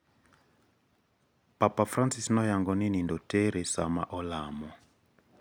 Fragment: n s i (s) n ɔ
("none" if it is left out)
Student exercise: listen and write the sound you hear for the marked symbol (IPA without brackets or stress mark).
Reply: s